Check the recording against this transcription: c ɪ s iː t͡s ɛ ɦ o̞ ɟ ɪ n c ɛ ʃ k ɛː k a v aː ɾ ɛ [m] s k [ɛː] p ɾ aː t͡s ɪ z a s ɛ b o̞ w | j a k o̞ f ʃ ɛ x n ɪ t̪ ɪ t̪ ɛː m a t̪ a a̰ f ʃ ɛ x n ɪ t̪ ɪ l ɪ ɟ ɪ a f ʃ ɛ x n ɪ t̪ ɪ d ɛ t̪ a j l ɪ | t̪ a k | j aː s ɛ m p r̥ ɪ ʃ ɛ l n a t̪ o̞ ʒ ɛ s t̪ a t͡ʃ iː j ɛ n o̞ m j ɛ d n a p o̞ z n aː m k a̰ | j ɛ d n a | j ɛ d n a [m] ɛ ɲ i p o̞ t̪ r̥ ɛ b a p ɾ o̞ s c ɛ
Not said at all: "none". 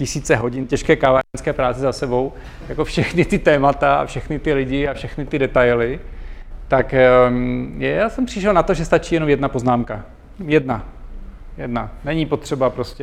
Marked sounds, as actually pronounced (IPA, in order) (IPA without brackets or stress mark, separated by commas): n, ɛː, n